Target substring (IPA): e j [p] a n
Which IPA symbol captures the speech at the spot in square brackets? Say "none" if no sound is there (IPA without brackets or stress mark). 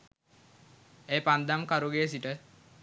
p